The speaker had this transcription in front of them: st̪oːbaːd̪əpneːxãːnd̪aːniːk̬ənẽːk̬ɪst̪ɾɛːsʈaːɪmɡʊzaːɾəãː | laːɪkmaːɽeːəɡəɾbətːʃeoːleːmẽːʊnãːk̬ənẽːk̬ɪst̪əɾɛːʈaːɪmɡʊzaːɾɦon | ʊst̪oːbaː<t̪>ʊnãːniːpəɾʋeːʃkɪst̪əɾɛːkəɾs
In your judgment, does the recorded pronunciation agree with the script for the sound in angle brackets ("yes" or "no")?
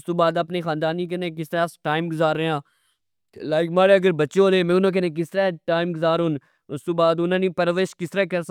no